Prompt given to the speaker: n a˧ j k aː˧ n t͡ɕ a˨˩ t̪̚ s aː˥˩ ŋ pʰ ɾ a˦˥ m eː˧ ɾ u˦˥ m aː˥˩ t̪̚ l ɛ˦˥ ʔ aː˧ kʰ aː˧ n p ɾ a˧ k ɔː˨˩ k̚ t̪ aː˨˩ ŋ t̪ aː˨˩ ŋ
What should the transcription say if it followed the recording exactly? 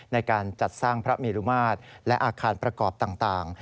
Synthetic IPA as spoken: n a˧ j k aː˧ n t͡ɕ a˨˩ t̪̚ s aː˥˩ ŋ pʰ ɾ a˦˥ m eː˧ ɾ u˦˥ m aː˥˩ t̪̚ l ɛ˦˥ ʔ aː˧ kʰ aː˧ n p ɾ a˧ k ɔː˨˩ p̚ t̪ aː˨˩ ŋ t̪ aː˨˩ ŋ